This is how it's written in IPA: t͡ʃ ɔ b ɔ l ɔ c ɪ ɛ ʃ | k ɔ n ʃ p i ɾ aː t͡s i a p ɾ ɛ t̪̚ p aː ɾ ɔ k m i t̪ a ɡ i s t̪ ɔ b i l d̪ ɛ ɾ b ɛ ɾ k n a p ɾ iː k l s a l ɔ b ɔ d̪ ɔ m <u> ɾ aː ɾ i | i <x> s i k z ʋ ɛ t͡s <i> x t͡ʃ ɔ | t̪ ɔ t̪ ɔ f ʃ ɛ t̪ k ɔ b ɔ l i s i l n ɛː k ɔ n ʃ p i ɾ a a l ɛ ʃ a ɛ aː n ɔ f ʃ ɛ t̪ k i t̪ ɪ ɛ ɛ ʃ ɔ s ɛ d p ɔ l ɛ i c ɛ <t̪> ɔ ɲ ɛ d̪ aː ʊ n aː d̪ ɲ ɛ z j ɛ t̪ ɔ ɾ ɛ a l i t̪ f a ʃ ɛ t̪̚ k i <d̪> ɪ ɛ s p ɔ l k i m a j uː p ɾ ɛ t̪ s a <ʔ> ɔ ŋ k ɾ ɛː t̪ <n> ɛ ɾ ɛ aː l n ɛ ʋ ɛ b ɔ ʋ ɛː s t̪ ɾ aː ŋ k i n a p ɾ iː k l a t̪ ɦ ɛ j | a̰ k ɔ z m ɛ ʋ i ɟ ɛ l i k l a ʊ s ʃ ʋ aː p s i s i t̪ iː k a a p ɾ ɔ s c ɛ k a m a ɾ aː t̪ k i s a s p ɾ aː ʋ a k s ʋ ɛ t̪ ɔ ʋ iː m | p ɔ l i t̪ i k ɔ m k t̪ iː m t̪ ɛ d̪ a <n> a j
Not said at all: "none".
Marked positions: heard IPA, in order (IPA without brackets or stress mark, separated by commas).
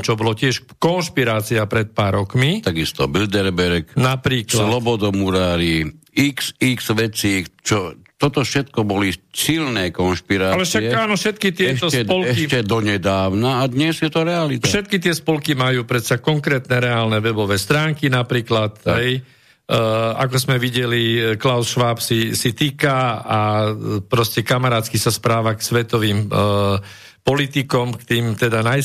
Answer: u, k, iː, d̪, t̪, k, n, n